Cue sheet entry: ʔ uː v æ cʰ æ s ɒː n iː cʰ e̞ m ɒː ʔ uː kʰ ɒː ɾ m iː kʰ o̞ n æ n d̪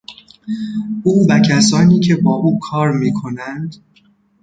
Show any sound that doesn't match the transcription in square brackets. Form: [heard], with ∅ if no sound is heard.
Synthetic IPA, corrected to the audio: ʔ uː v æ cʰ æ s ɒː n iː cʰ e̞ [b] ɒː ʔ uː kʰ ɒː ɾ m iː kʰ o̞ n æ n d̪